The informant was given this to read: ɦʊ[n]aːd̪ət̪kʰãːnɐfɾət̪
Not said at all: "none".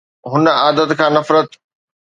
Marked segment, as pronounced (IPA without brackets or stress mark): n